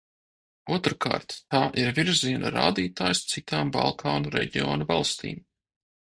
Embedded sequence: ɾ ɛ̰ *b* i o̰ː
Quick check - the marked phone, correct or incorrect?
incorrect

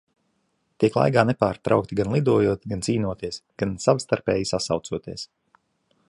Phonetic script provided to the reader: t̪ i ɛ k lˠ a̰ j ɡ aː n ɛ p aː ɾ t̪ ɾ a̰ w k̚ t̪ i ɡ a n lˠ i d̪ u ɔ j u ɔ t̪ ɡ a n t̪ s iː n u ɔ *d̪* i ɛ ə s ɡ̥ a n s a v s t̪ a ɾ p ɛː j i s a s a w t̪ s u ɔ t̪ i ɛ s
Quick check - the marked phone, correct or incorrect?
incorrect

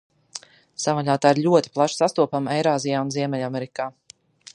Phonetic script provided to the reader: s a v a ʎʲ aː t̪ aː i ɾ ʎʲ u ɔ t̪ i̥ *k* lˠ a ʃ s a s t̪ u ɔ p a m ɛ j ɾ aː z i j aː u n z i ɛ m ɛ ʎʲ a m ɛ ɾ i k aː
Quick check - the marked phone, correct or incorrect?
incorrect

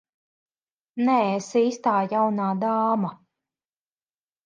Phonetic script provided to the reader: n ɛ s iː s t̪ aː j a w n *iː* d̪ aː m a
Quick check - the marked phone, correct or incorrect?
incorrect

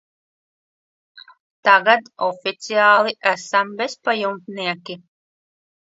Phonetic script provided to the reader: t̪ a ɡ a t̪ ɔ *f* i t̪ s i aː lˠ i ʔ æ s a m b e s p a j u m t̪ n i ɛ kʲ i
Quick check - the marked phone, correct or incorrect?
correct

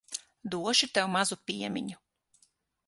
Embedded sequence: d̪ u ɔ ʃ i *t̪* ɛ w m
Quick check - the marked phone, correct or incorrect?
correct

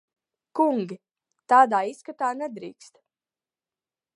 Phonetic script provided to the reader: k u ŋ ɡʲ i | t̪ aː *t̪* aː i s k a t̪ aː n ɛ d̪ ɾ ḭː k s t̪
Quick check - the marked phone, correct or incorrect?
incorrect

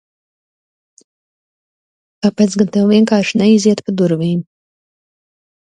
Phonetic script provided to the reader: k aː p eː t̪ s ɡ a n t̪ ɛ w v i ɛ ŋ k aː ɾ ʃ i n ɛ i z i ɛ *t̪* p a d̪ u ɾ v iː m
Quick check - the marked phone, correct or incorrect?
correct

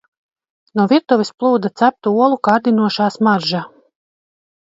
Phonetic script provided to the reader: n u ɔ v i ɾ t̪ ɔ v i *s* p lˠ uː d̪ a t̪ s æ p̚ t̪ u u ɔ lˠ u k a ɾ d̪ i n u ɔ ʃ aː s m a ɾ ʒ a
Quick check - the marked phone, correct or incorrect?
correct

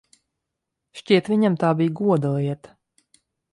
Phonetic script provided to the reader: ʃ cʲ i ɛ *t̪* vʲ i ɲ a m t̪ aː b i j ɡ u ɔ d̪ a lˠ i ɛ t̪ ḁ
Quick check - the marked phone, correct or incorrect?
correct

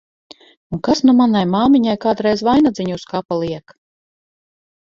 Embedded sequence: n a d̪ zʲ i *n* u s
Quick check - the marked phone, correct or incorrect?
incorrect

